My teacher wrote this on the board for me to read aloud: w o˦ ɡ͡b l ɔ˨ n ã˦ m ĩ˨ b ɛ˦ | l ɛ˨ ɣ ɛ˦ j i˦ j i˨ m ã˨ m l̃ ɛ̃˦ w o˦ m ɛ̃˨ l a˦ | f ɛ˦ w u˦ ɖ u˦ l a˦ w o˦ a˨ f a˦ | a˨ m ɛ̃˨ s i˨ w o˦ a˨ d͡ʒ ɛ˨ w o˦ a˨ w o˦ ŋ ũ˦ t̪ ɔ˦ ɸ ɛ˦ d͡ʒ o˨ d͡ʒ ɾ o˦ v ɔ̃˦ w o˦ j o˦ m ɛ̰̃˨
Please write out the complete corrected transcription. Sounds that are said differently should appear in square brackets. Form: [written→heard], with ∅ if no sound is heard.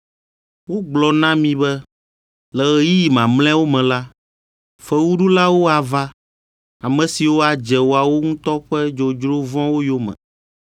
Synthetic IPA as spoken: w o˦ ɡ͡b l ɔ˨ n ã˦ m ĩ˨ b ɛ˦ | l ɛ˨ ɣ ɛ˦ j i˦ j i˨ m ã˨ m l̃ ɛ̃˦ w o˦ m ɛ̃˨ l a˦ | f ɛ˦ w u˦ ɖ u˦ l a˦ w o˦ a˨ [f→v] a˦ | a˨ m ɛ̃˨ s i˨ w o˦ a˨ d͡ʒ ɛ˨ w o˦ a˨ w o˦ ŋ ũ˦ t̪ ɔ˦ ɸ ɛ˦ d͡ʒ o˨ d͡ʒ ɾ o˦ v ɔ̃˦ w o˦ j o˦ m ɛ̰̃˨